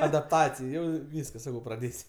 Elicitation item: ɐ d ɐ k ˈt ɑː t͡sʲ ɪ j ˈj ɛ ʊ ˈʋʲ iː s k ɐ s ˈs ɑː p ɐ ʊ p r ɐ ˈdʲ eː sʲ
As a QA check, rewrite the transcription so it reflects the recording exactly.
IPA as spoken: ɐ d ɐ p ˈt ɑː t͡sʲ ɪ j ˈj ɛ ʊ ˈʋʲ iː s k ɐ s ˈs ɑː k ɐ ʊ p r ɐ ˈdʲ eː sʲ